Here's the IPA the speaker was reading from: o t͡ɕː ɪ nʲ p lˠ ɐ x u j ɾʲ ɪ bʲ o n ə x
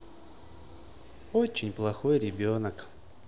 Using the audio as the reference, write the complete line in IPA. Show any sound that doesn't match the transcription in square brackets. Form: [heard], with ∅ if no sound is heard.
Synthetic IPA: o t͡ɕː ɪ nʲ p lˠ ɐ x [o] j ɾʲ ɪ bʲ o n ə [k]